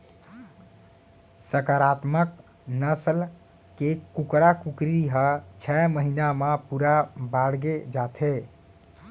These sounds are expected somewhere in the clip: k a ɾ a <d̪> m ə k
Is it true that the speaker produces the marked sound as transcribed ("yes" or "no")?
no